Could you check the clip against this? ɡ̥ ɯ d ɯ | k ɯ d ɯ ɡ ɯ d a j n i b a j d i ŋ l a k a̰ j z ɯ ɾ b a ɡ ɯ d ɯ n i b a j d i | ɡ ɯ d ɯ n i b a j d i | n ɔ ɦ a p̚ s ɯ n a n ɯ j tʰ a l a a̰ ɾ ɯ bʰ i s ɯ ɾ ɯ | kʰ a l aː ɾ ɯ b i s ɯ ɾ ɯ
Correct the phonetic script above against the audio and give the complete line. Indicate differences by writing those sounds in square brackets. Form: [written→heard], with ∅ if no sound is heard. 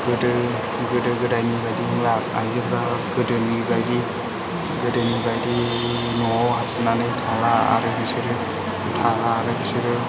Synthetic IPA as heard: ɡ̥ ɯ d ɯ | [k→ɡ] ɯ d ɯ ɡ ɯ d a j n i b a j d i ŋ l a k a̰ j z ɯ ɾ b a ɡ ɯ d ɯ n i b a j d i | ɡ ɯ d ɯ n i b a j d i | n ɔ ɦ a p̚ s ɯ n a n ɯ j tʰ a l a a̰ ɾ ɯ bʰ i s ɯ ɾ ɯ | [kʰ→tʰ] a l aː ɾ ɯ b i s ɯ ɾ ɯ